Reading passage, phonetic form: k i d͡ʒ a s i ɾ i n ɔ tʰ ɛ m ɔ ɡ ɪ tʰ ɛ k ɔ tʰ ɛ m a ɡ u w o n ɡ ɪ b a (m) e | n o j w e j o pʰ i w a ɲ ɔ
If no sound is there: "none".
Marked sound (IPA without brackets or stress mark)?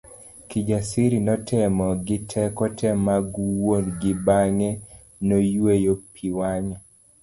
ŋ